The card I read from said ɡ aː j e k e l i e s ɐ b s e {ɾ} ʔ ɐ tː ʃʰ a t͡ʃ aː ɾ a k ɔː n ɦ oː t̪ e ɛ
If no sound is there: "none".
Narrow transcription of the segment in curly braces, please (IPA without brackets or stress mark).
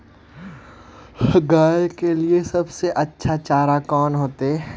none